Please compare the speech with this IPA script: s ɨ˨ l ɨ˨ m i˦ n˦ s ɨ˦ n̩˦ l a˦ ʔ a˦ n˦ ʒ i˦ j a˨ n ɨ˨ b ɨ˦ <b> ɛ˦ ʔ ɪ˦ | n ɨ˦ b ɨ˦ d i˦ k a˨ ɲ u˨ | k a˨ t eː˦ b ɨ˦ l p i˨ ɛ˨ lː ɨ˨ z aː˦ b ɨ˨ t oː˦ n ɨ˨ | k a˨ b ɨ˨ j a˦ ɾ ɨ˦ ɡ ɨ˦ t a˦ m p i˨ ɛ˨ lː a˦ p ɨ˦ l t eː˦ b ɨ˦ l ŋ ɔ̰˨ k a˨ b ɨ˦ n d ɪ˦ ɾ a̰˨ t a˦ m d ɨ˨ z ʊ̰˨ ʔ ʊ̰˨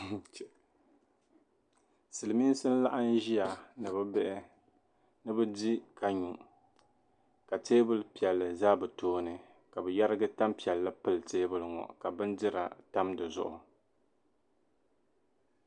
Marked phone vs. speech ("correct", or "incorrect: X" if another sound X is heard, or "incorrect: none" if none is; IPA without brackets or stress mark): correct